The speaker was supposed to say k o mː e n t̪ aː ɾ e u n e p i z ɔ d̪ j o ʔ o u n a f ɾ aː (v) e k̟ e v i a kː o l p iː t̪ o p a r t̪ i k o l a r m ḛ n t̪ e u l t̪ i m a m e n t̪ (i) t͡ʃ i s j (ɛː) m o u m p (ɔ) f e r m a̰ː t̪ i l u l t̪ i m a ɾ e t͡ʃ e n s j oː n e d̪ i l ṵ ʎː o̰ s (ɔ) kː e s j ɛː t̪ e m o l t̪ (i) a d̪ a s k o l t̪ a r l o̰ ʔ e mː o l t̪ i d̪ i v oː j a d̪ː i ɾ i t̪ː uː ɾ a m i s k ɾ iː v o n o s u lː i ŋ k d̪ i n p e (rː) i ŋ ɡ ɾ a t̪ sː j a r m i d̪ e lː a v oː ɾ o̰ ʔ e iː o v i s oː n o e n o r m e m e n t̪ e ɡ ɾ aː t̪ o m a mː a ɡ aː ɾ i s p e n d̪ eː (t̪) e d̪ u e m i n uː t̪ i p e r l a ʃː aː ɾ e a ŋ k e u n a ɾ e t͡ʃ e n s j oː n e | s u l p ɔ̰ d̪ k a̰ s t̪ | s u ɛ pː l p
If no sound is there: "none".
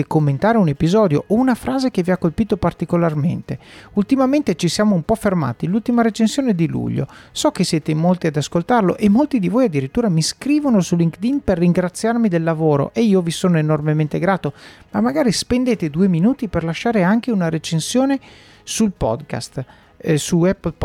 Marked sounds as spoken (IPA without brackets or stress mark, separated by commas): z, e, aː, ɔ, ɔ, i, rː, t̪